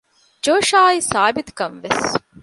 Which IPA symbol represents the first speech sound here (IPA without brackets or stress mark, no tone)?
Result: d͡ʒ